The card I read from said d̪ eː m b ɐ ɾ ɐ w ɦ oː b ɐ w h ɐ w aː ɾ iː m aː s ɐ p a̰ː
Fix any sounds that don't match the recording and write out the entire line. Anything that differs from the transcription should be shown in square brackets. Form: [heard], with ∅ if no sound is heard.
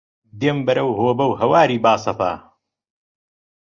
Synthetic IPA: d̪ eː m b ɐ ɾ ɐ w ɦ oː b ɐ w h ɐ w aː ɾ iː [b] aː s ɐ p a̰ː